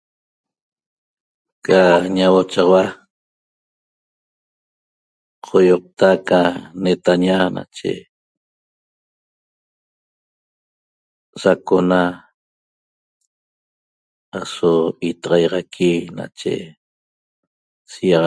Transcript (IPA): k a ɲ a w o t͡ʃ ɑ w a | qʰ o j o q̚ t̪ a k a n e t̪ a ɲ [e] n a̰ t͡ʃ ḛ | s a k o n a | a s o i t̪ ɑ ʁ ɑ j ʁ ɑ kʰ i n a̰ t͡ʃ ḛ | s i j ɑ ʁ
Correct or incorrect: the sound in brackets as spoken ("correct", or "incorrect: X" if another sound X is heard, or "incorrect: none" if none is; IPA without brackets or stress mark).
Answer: incorrect: a